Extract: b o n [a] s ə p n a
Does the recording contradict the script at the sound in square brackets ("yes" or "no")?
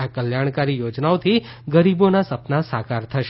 no